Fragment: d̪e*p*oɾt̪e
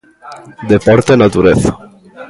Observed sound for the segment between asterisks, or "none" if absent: p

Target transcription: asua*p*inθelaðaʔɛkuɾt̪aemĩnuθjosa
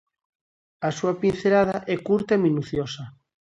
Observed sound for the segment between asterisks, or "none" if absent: p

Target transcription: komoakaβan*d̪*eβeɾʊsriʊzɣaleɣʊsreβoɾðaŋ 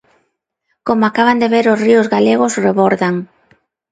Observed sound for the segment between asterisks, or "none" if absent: d̪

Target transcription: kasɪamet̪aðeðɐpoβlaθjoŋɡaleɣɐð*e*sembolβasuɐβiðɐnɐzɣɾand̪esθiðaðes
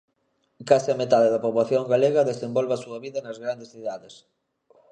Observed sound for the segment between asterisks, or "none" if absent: e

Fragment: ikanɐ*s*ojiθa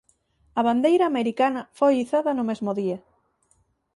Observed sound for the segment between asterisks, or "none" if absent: f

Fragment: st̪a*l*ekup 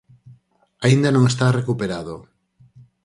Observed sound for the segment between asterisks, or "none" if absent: r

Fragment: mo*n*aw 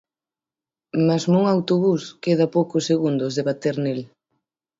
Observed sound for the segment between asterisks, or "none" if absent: ŋ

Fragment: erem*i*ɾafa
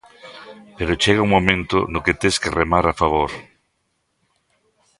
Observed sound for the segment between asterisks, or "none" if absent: a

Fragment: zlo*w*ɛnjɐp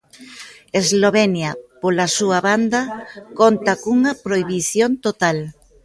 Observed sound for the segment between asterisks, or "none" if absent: β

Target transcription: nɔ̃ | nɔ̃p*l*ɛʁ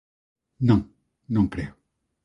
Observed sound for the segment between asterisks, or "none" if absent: l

